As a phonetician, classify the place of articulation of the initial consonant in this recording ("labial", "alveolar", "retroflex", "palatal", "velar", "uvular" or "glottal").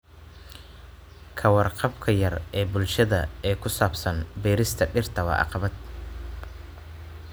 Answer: velar